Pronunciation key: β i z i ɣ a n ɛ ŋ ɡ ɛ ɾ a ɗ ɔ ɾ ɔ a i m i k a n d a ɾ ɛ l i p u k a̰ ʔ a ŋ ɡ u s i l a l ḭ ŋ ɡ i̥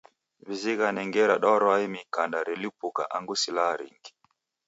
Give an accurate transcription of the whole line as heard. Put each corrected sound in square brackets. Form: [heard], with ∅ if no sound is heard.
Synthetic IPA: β i z i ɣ a n ɛ ŋ ɡ ɛ ɾ a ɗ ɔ ɾ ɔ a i m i k a n d a ɾ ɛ l i p u k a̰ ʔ a ŋ ɡ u s i l a [ɾ] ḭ ŋ ɡ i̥